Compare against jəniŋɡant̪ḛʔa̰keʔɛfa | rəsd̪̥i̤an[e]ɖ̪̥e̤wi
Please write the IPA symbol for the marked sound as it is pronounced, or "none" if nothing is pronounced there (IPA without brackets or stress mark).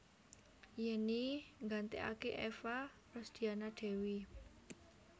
a